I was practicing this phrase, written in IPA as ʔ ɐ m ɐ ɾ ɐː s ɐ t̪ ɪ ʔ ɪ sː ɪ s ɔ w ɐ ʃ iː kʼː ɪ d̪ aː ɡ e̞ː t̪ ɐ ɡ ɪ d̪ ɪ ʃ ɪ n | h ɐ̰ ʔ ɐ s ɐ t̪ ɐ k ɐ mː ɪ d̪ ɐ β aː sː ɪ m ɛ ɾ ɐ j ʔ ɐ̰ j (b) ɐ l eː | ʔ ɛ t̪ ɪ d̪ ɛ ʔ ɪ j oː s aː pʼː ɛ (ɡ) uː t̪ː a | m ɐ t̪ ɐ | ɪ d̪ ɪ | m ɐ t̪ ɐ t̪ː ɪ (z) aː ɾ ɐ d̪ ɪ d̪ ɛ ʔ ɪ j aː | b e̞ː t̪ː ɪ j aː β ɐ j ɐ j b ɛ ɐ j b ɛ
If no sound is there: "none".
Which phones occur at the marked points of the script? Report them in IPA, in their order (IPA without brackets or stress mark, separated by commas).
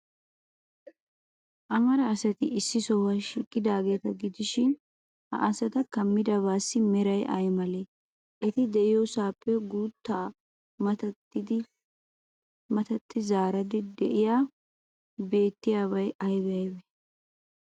m, ɡ, z